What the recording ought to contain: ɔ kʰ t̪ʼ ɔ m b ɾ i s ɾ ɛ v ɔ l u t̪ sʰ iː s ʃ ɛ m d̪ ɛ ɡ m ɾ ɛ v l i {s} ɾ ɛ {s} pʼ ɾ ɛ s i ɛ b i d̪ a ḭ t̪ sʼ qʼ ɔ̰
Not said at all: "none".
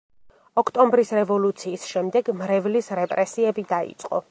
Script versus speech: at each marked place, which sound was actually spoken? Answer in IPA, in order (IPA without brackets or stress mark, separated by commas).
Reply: s, none